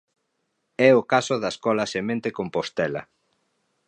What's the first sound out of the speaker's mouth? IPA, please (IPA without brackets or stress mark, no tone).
ɛ